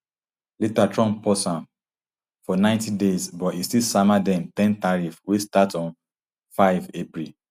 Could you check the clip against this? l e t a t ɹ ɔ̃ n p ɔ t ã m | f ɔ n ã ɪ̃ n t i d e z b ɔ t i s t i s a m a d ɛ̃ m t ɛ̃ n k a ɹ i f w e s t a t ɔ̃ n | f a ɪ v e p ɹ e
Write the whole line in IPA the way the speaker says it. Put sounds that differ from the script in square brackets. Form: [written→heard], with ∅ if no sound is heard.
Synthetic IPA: l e t a t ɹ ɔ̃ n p ɔ [t→s] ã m | f ɔ n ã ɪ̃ n t i d e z b ɔ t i s t i s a m a d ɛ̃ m t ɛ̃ n [k→t] a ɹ i f w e s t a t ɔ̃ n | f a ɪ v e p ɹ [e→i]